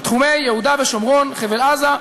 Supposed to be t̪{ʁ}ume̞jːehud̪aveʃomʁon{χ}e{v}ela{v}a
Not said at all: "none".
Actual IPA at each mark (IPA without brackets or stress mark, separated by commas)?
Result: χ, χ, v, z